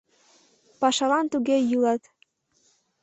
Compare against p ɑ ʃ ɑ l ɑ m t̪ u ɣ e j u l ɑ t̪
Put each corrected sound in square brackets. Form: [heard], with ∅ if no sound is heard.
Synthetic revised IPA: p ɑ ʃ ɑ l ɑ [n] t̪ u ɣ e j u l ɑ t̪